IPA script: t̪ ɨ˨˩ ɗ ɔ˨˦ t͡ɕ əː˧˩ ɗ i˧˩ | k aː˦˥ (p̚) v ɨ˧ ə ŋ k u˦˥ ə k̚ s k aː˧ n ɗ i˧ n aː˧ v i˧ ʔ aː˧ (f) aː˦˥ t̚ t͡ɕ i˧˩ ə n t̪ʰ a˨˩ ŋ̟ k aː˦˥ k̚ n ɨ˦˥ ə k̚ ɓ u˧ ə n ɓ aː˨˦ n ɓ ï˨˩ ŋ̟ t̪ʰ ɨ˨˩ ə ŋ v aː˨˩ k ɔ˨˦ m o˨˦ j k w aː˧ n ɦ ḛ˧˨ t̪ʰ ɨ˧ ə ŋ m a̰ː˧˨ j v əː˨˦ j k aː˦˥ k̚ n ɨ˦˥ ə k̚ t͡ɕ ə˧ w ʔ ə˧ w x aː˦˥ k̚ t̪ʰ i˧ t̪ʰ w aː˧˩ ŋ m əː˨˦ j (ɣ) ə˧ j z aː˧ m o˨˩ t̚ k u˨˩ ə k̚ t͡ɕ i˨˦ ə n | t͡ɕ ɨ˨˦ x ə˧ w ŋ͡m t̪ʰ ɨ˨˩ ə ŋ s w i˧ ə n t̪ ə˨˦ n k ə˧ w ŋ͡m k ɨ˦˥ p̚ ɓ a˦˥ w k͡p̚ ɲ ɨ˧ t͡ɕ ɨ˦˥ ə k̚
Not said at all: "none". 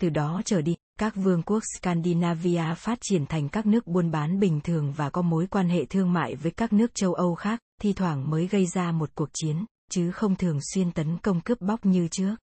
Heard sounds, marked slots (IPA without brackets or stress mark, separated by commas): k̚, f, ɣ